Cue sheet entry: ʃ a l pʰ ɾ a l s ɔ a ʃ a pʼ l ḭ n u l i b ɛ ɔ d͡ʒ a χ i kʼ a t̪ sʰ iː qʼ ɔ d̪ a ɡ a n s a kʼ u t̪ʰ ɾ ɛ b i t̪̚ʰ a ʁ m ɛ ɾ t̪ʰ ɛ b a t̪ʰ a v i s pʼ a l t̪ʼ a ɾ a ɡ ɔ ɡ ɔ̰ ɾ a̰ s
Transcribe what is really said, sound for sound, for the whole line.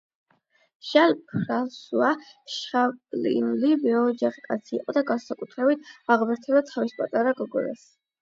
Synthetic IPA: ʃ a l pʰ ɾ a l s u a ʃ a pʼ l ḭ n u l i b ɛ ɔ d͡ʒ a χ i kʼ a t̪ sʰ iː qʼ ɔ d̪ a ɡ a n s a kʼ u t̪ʰ ɾ ɛ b i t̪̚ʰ a ʁ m ɛ ɾ t̪ʰ ɛ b a t̪ʰ a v i s pʼ a t̪ʼ a ɾ a ɡ ɔ ɡ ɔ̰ ɾ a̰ s